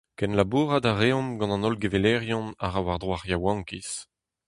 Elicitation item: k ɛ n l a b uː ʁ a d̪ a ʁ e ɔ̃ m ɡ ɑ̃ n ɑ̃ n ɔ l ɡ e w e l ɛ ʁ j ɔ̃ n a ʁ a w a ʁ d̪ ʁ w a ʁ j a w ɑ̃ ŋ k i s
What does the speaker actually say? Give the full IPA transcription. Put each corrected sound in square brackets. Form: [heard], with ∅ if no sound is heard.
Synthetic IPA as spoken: k ɛ n l a b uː ʁ a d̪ a ʁ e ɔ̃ m ɡ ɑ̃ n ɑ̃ n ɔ l ɡ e [v] e l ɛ ʁ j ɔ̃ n a ʁ a w a ʁ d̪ ʁ w a ʁ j a w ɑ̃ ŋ k i s